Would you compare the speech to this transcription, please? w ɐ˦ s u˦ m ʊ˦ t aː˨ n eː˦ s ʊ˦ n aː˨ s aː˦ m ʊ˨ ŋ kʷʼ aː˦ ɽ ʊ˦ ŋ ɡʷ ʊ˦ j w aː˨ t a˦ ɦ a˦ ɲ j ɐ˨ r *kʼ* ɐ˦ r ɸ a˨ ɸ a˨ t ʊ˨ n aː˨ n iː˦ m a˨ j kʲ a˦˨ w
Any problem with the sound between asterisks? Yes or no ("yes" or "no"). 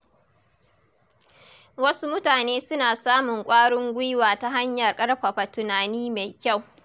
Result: no